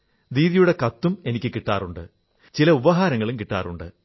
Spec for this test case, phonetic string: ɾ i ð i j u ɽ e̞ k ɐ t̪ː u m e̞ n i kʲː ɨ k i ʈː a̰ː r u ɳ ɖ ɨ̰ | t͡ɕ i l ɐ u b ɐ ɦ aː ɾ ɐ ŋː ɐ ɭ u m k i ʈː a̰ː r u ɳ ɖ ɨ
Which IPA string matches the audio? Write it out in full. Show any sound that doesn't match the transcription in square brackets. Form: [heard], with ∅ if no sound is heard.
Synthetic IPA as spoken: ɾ [iː] ð i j u ɽ e̞ k ɐ t̪ː u m e̞ n i kʲː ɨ k i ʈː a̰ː r u ɳ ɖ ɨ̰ | t͡ɕ i l ɐ u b ɐ ɦ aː ɾ ɐ ŋː ɐ ɭ u m k i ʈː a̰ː r u ɳ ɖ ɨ